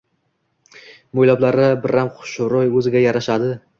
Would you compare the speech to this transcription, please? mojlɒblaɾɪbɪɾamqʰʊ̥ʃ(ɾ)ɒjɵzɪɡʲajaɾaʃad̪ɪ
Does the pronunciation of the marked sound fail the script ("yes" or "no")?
no